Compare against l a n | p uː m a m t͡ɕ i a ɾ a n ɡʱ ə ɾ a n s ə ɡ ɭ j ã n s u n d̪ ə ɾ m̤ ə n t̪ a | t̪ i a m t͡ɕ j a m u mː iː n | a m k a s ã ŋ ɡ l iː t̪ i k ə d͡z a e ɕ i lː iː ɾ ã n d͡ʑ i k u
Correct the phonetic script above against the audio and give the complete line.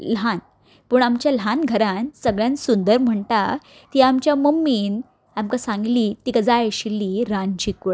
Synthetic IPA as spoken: l a n | p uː ɳ a m t͡ɕ j a l a n ɡʱ ə ɾ a n s ə ɡ ɭ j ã n s u n d̪ ə ɾ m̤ ə ɳ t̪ a | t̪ i a m t͡ɕ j a m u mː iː n | a m k a s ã ŋ ɡ l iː t̪ i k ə d͡z a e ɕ i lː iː ɾ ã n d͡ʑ i k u